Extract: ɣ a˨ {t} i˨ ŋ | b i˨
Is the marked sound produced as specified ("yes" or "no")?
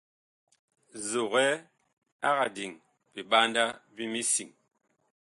no